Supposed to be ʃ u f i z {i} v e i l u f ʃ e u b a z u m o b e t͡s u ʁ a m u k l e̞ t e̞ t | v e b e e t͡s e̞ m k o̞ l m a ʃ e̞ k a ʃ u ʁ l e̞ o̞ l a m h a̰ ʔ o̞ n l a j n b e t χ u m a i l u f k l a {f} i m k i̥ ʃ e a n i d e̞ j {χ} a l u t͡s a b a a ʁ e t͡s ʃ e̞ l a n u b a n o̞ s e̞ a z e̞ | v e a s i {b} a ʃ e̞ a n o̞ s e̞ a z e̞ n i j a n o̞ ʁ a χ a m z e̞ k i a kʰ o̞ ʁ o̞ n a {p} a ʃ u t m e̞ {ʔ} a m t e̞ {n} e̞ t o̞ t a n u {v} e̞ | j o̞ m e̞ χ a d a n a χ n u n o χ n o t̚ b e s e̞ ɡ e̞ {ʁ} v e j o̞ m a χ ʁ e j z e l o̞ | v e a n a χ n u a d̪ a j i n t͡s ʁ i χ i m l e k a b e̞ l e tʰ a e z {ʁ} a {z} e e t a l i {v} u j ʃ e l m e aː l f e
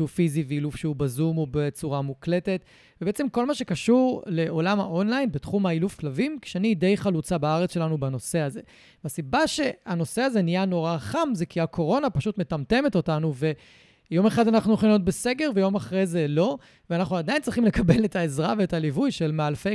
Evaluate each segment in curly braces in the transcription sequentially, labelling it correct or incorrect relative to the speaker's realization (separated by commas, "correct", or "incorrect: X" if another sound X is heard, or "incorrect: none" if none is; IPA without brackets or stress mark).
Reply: correct, incorrect: v, correct, correct, correct, incorrect: t, incorrect: m, correct, correct, correct, incorrect: v, correct